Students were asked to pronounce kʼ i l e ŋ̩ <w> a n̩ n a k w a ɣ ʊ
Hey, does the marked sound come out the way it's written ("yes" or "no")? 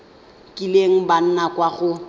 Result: no